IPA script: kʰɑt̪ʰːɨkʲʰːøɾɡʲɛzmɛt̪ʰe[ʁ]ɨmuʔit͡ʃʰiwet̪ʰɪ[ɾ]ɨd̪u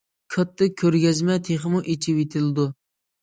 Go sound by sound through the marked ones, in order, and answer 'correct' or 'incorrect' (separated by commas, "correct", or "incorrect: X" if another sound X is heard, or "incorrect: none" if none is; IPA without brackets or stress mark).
incorrect: χ, incorrect: l